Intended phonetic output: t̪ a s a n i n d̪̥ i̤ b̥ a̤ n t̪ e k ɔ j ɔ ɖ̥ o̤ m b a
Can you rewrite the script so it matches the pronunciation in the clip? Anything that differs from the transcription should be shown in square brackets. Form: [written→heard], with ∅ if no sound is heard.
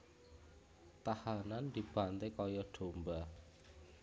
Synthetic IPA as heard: t̪ a [s→h] a n [i→a] n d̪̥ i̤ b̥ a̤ n t̪ e k ɔ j ɔ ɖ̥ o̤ m b a